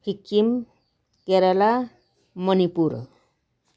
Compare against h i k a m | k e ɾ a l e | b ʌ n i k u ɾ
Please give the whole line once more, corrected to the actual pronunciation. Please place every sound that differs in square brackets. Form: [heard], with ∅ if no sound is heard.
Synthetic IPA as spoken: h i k [i] m | k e ɾ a l [a] | [m] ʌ n i [p] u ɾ